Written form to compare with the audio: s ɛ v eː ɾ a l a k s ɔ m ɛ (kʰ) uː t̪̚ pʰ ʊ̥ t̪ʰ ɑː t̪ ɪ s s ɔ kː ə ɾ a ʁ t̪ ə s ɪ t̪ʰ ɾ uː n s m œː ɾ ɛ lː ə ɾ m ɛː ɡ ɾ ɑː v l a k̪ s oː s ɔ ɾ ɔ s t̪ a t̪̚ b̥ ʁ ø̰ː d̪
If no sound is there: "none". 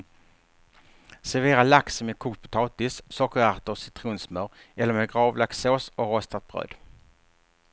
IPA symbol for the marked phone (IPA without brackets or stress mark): kʰ